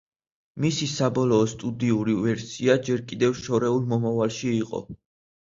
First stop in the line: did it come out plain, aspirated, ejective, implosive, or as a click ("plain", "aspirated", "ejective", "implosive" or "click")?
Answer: plain